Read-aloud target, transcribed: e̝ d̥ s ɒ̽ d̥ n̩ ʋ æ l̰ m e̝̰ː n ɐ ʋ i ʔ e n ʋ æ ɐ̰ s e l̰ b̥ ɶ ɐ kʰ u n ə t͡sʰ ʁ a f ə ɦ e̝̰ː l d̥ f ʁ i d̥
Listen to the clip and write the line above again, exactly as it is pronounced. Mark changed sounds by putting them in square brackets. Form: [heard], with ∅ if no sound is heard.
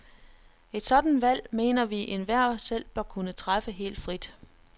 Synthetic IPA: e̝ d̥ s ɒ̽ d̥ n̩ ʋ æ l̰ m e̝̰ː n ɐ ʋ i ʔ e n ʋ æ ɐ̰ s e l̰ b̥ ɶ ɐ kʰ u n ə t͡sʰ ʁ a f ə ɦ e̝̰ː l d̥ f ʁ i d̥